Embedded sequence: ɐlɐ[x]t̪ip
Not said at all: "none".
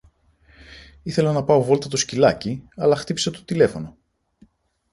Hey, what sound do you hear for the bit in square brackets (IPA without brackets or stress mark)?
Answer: x